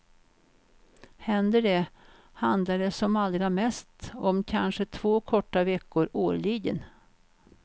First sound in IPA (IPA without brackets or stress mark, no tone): h